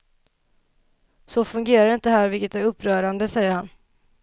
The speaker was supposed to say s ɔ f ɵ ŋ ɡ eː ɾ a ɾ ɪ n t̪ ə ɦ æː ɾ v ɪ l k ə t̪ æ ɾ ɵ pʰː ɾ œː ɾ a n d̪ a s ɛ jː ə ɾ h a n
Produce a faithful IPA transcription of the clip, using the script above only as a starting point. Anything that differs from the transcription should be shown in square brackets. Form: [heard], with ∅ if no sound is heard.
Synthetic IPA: s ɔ f ɵ ŋ ɡ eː ɾ a ɾ ɪ n t̪ ə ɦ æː ɾ v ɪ l k ə t̪ æ ɾ ɵ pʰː ɾ œː ɾ a n d̪ [ə] s ɛ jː ə ɾ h a n

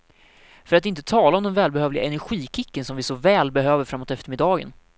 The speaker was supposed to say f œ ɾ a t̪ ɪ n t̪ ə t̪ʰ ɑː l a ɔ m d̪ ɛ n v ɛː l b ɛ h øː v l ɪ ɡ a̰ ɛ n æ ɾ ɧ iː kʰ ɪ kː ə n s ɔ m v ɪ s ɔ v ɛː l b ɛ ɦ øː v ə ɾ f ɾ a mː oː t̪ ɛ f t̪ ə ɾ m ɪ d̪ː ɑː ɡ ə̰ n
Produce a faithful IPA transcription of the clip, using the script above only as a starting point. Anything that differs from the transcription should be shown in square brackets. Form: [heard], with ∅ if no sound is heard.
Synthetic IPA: f œ ɾ a t̪ ɪ n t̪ ə t̪ʰ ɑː l a ɔ m d̪ ɛ n v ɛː l b ɛ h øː v l ɪ ɡ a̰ ɛ n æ ɾ ɧ iː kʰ ɪ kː ə n s ɔ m v ɪ s ɔ v ɛː l b ɛ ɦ øː v ə ɾ f ɾ a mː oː t̪ ɛ f t̪ ə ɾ m ɪ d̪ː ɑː ɡ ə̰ n

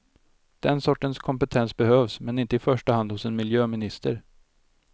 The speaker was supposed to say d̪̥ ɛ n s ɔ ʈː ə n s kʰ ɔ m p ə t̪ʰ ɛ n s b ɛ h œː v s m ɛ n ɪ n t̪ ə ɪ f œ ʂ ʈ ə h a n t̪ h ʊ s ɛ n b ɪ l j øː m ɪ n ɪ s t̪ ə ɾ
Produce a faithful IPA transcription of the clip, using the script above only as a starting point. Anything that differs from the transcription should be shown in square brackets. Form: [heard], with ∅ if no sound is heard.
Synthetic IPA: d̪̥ ɛ n s ɔ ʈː ə n s kʰ ɔ m p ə t̪ʰ ɛ n s b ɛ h [øː] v s m ɛ n ɪ n t̪ ə ɪ f œ ʂ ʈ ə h a n [d̪] h ʊ s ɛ n [m] ɪ l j øː m ɪ n ɪ s t̪ ə ɾ

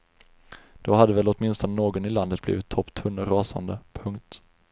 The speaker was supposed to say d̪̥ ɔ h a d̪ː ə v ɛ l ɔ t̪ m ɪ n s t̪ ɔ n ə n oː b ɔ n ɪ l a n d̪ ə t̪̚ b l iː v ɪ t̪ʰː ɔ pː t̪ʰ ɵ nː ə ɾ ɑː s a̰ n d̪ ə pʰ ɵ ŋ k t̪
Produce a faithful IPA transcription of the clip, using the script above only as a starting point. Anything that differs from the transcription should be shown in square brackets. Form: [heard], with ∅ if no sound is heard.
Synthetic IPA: d̪̥ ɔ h a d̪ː ə v ɛ l ɔ t̪ m ɪ n s t̪ ɔ n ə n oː [ɡ] ɔ n ɪ l a n d̪ ə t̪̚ b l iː v ɪ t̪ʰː ɔ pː t̪ʰ ɵ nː ə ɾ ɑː s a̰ n d̪ ə pʰ ɵ ŋ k t̪

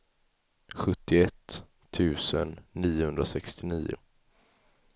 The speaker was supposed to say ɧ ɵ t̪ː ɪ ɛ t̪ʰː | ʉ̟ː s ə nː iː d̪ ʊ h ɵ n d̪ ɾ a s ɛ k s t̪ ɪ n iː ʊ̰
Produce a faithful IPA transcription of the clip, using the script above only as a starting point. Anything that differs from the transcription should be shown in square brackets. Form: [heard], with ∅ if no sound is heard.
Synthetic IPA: ɧ ɵ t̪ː ɪ ɛ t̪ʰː | ʉ̟ː s ə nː iː [∅] ʊ h ɵ n d̪ ɾ a s ɛ k s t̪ ɪ n iː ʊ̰

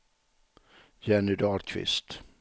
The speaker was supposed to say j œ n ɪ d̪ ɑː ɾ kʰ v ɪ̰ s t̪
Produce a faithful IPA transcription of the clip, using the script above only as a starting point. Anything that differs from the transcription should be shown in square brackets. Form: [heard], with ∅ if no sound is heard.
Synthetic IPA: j [ɛ] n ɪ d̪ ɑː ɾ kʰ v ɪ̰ s t̪

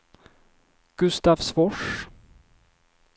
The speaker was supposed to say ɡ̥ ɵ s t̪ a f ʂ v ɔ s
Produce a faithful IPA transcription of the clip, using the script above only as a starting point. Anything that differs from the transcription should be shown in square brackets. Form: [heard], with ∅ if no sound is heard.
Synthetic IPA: ɡ̥ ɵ s t̪ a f [s] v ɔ [ʂ]

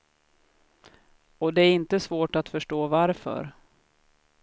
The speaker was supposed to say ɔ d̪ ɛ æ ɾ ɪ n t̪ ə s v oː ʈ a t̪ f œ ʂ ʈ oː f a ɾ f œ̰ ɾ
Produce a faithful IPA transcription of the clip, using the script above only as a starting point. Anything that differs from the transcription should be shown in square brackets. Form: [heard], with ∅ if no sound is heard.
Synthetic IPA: ɔ d̪ ɛ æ ɾ ɪ n t̪ ə s v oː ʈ a t̪ f œ ʂ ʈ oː [v] a ɾ f œ̰ ɾ

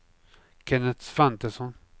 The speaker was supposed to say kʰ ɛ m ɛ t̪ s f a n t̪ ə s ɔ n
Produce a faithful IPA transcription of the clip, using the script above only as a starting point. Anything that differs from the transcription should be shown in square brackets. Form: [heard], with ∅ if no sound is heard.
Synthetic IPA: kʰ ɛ [n] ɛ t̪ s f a n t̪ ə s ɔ n

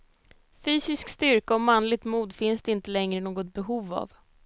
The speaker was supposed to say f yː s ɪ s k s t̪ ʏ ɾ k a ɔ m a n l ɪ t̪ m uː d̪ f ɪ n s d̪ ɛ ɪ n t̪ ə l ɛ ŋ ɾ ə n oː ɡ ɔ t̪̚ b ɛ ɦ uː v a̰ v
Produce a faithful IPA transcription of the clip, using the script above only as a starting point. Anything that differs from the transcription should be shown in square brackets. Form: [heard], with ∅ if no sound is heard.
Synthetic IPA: f yː s ɪ s k s t̪ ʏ ɾ k a ɔ m a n l ɪ t̪ m uː d̪ f ɪ n s d̪ ɛ ɪ n t̪ ə l ɛ ŋ ɾ ə n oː ɡ ɔ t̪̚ b ɛ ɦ uː v a̰ v

